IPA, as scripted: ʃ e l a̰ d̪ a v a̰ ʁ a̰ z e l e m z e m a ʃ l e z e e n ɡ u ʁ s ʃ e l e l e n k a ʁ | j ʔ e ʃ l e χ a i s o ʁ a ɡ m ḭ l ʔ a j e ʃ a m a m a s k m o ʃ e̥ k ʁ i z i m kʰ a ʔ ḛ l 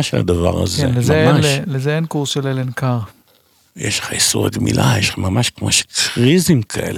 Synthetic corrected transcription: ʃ e l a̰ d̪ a v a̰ ʁ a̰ z e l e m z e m a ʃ l e z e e n k u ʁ s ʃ e l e l e n k a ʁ | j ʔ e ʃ l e χ a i s u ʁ a ɡ m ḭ l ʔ a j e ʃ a m a m a ʃ k m o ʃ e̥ k ʁ i z i m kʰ a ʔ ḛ l